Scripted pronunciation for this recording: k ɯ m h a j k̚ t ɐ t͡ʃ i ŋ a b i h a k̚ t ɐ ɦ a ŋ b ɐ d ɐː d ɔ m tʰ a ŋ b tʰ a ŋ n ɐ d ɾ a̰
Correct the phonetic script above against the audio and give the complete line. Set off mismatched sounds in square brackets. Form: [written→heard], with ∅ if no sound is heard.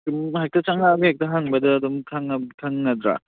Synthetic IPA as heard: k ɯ m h a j k̚ t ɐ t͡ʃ [i→a] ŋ a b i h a k̚ t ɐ ɦ a ŋ b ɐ d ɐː d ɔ m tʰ a ŋ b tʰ a ŋ n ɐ d ɾ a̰